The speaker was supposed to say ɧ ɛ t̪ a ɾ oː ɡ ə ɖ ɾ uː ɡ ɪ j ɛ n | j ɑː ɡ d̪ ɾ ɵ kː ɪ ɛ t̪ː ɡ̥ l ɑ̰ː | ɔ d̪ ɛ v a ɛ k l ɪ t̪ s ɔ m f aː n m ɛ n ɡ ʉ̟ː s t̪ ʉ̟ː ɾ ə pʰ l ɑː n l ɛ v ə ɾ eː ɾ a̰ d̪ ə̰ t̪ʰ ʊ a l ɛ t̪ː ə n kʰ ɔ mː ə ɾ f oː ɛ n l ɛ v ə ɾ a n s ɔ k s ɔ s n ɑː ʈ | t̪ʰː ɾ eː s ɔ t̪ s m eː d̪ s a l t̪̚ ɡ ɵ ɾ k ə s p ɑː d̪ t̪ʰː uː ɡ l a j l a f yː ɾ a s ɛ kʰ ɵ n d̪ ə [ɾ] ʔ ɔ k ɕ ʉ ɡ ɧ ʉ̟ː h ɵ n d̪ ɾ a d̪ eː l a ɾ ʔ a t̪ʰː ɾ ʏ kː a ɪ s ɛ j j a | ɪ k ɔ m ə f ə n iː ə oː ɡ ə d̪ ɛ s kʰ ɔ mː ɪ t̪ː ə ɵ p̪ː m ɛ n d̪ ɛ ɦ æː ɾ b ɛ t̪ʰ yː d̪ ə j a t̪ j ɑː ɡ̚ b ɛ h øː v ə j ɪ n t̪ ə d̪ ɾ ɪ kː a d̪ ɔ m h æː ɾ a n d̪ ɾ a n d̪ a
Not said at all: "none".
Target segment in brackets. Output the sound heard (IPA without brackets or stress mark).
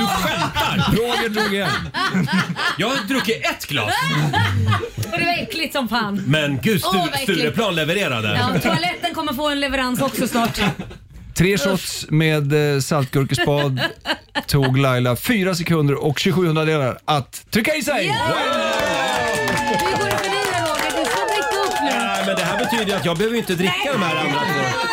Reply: ɾ